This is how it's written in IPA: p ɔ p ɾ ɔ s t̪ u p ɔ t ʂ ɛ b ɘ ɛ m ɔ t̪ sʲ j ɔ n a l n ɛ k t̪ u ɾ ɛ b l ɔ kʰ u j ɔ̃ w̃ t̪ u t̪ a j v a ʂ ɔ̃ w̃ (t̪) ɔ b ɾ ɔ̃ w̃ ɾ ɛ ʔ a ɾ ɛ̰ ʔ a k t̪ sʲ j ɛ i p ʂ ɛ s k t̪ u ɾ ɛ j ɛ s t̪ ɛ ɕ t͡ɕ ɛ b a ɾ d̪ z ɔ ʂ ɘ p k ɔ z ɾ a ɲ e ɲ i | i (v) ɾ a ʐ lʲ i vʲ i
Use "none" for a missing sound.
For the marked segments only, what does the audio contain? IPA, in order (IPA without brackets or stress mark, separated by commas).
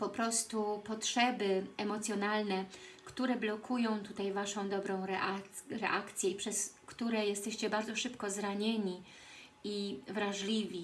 d̪, v